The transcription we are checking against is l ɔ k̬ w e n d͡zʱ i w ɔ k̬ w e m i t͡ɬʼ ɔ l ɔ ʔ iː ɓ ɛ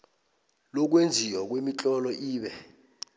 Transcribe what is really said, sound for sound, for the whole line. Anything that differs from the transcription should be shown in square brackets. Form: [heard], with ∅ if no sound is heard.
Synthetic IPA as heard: l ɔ k̬ w e n d͡zʱ i w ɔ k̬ w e m i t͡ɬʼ ɔ l ɔ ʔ iː ɓ ɛ